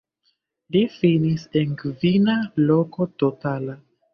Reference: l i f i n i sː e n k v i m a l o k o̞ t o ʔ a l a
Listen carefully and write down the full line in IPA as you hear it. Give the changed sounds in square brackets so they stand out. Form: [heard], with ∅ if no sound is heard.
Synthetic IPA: l i f i n i [s] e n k v i [n] a l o k o̞ t o [t] a l a